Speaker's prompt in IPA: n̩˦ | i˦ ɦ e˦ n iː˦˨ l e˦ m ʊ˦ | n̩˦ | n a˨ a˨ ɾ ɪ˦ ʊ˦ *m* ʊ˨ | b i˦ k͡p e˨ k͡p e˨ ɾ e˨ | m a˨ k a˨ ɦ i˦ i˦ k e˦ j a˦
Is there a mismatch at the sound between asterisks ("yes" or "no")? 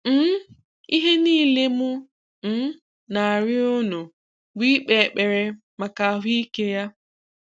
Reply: yes